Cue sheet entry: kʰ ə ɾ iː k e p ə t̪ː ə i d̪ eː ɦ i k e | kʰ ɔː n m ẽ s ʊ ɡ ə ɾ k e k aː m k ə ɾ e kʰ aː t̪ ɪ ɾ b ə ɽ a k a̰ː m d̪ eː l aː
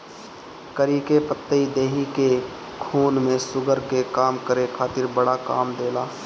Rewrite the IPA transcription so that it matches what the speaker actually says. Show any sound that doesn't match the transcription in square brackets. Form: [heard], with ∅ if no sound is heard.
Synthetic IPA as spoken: [k] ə ɾ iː k e p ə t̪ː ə i d̪ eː ɦ i k e | kʰ [uː] n m ẽ s ʊ ɡ ə ɾ k e k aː m k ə ɾ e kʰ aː t̪ ɪ ɾ b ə ɽ a k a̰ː m d̪ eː l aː